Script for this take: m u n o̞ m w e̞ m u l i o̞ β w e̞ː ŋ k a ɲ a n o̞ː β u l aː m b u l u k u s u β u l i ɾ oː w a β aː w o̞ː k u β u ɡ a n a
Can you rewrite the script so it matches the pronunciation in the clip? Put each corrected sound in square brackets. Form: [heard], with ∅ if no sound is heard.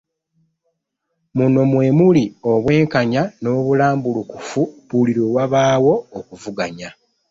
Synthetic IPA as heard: m u n o̞ m w e̞ m u l i o̞ β w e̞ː ŋ k a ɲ a n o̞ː β u l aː m b u l u k u [f] u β u l i ɾ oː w a β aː w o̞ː k u [v] u ɡ a [ɲ] a